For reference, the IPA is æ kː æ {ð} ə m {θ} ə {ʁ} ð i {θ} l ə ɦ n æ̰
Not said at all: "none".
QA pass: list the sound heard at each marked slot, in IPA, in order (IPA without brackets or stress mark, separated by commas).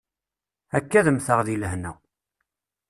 ð, θ, ʁ, none